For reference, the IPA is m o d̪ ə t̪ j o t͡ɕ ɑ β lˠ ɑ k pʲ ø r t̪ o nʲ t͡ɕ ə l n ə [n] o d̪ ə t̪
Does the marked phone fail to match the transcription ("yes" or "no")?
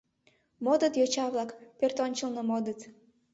yes